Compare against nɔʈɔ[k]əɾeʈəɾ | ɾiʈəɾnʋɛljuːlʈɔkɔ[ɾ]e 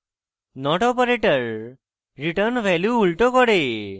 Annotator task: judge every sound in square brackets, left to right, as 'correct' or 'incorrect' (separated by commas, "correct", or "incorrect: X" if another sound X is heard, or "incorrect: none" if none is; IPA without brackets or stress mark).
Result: incorrect: p, incorrect: ɽ